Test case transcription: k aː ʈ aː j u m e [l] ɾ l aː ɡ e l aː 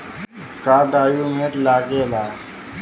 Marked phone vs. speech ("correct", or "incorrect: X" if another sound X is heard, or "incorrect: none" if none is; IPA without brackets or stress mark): incorrect: none